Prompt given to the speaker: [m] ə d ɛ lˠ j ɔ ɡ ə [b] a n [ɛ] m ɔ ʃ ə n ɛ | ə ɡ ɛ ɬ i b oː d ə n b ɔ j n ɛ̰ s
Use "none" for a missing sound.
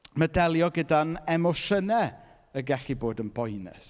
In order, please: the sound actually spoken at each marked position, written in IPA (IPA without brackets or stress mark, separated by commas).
m, d, ɛ